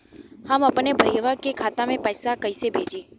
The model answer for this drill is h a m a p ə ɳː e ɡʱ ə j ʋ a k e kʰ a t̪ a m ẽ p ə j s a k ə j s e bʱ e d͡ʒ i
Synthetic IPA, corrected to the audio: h a m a p ə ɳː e bʱ ə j ʋ a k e kʰ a t̪ a m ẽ p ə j s a k ə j s e bʱ e d͡ʒ i